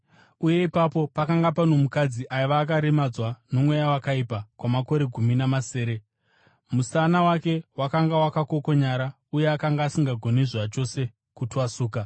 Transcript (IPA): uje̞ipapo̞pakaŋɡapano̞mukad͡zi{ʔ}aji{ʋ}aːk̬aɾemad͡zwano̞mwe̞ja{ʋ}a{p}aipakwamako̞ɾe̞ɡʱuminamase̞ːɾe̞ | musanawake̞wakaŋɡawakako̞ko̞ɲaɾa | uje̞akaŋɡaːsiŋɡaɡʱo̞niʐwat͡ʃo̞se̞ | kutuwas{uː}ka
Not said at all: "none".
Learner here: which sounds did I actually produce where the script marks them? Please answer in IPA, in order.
ʔ, ʋ, w, k, uː

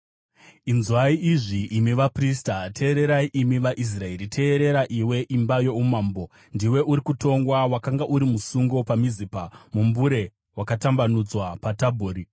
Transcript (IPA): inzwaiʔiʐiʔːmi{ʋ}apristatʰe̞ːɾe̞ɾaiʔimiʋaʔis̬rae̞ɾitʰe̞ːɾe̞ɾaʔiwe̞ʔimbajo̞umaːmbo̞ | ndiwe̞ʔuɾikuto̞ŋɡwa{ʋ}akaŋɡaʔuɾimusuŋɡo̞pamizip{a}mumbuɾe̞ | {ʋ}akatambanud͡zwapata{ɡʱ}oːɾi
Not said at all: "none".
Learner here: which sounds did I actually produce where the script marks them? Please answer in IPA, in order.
ʋ, w, a, w, bʱ

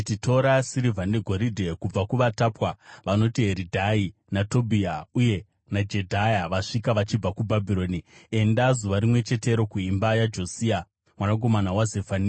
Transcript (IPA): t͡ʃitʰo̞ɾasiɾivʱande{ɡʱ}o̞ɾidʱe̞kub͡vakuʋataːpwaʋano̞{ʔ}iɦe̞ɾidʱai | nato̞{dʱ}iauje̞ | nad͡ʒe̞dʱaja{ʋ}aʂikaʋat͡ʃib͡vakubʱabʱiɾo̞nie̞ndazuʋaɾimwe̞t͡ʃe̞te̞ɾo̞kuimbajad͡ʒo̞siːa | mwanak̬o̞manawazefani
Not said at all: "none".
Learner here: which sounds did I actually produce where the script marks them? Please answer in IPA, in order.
ɡʱ, t, bʱ, ʋ

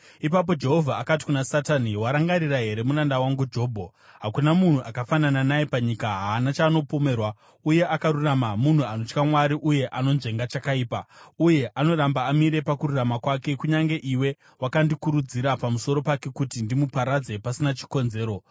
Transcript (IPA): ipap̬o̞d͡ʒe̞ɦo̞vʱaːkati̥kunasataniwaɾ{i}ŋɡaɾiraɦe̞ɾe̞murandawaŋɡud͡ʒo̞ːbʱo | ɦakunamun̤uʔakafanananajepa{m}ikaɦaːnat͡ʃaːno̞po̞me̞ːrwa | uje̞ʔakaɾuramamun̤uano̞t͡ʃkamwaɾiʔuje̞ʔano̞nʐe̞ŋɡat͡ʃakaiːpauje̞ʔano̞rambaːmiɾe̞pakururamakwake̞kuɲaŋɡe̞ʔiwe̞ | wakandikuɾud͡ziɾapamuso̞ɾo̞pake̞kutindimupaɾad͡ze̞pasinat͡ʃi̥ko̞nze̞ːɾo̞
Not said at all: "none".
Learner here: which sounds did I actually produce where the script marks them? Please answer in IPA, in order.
a, ɲ

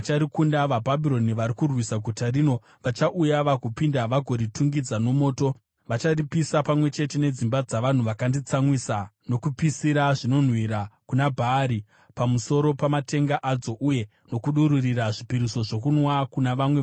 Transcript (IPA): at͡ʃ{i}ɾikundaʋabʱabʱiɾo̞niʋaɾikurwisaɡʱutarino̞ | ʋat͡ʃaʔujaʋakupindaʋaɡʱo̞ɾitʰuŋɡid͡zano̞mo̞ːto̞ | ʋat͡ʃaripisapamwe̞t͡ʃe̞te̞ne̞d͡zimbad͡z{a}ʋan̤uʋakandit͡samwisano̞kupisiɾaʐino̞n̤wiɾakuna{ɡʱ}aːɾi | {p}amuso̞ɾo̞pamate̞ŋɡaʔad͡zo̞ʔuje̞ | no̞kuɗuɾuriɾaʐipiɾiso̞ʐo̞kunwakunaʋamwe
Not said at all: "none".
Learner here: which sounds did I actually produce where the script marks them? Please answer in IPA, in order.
a, a, bʱ, p

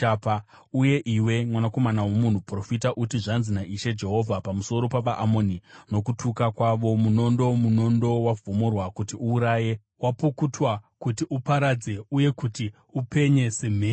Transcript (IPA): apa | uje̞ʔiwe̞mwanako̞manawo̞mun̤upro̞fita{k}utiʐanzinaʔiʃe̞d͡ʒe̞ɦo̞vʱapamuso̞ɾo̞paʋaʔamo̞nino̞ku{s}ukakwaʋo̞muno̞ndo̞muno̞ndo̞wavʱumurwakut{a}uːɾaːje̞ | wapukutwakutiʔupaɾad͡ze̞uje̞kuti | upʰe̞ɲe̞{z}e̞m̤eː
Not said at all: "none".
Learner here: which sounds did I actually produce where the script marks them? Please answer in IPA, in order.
ʔ, t, i, s

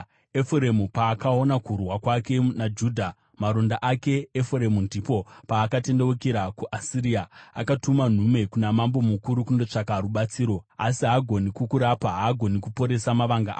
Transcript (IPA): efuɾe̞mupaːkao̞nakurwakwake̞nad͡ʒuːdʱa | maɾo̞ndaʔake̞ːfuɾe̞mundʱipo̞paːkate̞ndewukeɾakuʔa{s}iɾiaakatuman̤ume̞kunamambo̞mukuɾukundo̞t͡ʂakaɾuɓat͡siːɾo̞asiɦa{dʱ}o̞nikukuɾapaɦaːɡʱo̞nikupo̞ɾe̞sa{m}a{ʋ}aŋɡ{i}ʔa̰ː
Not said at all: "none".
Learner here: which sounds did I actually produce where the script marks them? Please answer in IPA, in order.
s, ɡʱ, m, ʋ, a

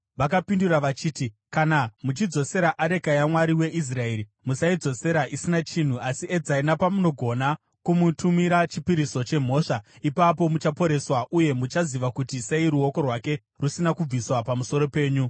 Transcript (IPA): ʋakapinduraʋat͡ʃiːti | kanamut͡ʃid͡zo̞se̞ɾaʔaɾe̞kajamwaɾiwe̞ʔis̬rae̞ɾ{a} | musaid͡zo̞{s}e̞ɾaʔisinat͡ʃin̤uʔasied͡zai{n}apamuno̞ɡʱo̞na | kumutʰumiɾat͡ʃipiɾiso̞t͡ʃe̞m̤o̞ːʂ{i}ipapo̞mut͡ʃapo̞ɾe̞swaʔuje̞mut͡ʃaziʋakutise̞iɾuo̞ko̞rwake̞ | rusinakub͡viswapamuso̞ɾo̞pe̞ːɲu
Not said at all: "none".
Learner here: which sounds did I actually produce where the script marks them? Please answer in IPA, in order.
i, s, n, a

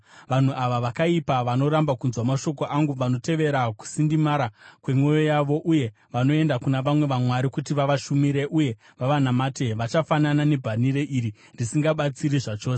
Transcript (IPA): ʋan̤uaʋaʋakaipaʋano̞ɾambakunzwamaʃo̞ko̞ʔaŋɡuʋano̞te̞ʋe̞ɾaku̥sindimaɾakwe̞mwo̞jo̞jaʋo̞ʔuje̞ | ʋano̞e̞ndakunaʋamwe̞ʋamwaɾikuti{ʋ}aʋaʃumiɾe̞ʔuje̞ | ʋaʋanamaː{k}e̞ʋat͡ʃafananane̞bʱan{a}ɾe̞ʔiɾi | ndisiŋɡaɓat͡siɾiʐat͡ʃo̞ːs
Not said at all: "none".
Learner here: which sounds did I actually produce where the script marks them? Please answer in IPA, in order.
ʋ, t, i

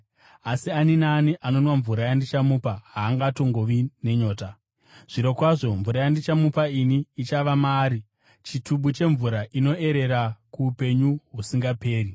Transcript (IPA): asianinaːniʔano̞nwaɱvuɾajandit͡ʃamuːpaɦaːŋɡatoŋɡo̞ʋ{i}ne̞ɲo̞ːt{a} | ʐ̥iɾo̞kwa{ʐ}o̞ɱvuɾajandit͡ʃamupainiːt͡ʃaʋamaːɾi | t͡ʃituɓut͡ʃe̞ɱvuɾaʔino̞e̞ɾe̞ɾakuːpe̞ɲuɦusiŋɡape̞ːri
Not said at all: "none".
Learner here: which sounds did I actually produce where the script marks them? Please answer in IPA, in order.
i, a, ʐ

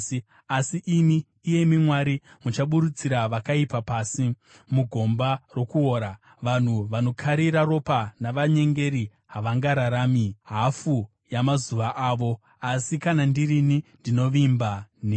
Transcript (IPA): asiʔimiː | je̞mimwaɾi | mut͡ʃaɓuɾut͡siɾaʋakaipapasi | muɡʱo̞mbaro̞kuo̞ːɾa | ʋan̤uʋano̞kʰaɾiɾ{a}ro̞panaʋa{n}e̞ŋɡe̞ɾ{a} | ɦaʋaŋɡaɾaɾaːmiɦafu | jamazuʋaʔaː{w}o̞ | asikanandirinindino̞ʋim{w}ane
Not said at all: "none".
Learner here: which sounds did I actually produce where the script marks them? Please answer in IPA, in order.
a, ɲ, i, ʋ, b

